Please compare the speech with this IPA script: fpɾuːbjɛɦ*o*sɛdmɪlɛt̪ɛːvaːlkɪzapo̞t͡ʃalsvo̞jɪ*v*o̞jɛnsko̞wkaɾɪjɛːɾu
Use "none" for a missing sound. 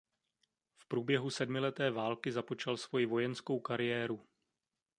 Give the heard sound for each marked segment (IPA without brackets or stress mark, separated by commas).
u, v